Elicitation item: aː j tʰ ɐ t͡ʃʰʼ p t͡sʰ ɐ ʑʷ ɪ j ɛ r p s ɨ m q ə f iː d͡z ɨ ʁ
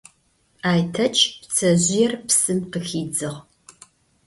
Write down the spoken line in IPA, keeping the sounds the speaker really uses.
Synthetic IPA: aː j tʰ ɐ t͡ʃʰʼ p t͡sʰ ɐ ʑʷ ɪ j ɛ r p s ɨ m q ə x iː d͡z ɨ ʁ

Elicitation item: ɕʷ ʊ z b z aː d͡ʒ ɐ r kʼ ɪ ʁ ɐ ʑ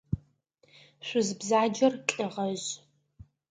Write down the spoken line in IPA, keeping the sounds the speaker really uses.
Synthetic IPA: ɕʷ ʊ z b z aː d͡ʒ ɐ r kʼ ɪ ʁ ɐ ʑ

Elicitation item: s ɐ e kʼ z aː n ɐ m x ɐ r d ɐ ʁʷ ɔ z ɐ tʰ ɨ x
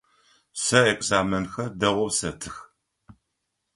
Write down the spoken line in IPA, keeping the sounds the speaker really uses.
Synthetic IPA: s ɐ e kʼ z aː m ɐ n x ɐ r d ɐ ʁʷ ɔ s ɐ tʰ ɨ x

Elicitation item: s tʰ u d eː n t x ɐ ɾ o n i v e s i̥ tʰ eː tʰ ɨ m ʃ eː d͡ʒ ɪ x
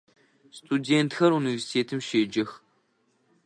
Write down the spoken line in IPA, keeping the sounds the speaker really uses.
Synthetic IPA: s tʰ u d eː n t x ɐ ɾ u n i v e s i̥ tʰ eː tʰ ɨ m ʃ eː d͡ʒ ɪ x

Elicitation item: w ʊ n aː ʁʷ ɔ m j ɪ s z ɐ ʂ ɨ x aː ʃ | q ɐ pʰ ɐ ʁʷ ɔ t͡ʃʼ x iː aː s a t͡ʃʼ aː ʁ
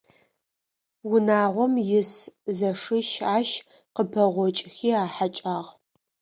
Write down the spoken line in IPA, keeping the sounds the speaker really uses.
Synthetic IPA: w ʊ n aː ʁʷ ɔ m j ɪ s z ɐ ʂ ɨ ʃ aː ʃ | q ə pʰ ɐ ʁʷ ɔ t͡ʃʼ x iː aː ħ a t͡ʃʼ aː ʁ

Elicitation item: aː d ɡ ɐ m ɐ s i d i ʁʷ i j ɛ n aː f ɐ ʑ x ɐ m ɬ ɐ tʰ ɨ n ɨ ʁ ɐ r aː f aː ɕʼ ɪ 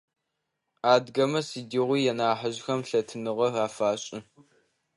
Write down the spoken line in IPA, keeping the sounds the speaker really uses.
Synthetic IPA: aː d ɡ ɐ m ɐ s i d i ʁʷ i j ɛ n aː ħ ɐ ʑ x ɐ m ɬ ɐ tʰ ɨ n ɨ ʁ ɐ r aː f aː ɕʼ ɪ

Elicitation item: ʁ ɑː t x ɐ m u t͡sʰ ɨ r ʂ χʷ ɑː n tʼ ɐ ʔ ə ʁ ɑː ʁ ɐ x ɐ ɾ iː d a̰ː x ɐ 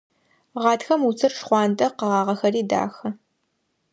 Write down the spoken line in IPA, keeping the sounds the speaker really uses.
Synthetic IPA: ʁ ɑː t x ɐ m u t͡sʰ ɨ r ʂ χʷ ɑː n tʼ ɐ q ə ʁ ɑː ʁ ɐ x ɐ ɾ iː d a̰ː x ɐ

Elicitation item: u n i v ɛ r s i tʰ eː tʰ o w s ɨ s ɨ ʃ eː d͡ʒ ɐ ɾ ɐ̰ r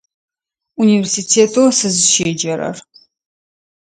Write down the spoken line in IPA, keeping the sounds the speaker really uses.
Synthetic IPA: u n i v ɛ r s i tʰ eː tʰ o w s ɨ z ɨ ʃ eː d͡ʒ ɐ ɾ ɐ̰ r

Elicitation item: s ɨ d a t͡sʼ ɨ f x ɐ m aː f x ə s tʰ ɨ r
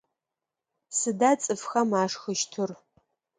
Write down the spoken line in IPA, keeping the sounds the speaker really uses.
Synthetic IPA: s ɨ d a t͡sʼ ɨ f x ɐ m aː ʂ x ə ʃ tʰ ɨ r

